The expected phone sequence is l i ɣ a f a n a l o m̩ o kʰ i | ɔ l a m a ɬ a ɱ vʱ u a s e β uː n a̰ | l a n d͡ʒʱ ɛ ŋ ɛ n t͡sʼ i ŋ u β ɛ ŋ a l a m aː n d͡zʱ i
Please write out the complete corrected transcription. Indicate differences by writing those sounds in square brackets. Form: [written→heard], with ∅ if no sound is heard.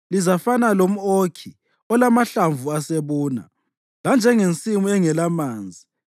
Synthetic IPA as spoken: l i [ɣ→z] a f a n a l o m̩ o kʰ i | ɔ l a m a ɬ a ɱ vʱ u a s e β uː n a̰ | l a n d͡ʒʱ ɛ ŋ [ɛ→e] n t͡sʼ i [ŋ→m] u [β→∅] ɛ ŋ [a→ɛ] l a m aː n d͡zʱ i